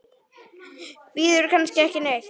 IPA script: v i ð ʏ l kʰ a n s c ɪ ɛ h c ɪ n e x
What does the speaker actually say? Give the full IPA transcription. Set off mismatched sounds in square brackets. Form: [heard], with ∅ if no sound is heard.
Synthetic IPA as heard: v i ð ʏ [ɾ] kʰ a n s c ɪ ɛ h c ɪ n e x